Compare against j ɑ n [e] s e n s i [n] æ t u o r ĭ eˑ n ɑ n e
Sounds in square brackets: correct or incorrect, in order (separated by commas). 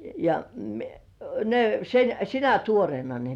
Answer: correct, correct